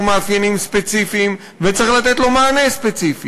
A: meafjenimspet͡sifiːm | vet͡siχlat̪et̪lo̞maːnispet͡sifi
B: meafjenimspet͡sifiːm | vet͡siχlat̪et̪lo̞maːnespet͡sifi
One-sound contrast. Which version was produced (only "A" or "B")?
B